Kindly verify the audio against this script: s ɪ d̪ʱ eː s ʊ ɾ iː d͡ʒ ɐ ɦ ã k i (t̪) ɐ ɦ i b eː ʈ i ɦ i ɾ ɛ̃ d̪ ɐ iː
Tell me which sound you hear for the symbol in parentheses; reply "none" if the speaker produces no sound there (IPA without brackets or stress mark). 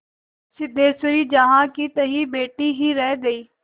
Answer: t̪